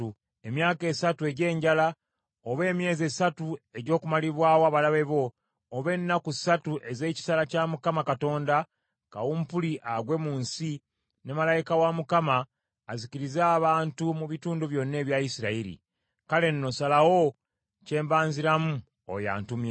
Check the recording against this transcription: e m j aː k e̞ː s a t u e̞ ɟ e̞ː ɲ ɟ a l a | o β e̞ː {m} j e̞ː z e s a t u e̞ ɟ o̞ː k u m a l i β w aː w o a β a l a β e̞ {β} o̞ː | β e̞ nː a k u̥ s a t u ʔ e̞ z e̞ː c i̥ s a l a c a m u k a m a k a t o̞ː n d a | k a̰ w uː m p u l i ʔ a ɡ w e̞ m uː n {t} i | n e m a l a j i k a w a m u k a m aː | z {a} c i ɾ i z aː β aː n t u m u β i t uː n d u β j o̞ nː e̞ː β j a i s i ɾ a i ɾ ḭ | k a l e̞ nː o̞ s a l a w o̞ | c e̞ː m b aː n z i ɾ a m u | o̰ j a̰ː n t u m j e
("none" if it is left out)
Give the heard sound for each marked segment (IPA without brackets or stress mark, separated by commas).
m, β, s, i